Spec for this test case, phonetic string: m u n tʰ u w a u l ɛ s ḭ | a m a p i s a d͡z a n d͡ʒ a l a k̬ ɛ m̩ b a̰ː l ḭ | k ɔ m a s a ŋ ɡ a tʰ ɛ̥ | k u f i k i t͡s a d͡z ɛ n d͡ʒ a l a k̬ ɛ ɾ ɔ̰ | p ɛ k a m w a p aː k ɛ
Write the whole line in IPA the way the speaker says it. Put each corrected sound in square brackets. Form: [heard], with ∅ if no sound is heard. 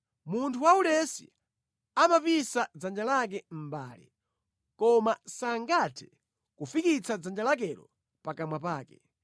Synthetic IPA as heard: m u n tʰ u w a u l ɛ s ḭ | a m a p i s a d͡z a n d͡ʒ a l a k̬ ɛ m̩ b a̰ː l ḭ | k ɔ m a s a ŋ ɡ a tʰ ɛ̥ | k u f i k i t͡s a d͡z [a] n d͡ʒ a l a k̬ ɛ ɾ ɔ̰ | p [a] k a m w a p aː k ɛ